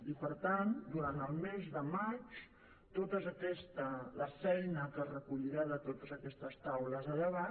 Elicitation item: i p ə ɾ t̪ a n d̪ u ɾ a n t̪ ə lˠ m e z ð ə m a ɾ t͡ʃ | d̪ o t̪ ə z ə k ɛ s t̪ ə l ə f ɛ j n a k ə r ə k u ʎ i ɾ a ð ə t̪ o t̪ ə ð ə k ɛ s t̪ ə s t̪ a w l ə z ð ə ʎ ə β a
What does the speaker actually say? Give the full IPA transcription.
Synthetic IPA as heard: i p ə ɾ t̪ a n d̪ u ɾ a n t̪ ə lˠ m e z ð ə m a t͡ʃ | t̪ o t̪ ə z ə k ɛ s t̪ ə l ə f ɛ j n ə k ə r ə k u ʎ i ɾ a ð ə t̪ o t̪ ə z ə k ɛ s t̪ ə s t̪ a w l ə z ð ə ʎ ə β a